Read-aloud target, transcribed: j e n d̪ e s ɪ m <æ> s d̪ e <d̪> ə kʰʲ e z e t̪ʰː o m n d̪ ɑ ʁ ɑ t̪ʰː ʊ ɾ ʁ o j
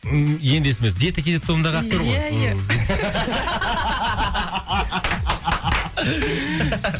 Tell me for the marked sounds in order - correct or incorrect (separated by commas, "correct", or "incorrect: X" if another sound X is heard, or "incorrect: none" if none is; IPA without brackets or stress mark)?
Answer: incorrect: e, incorrect: t̪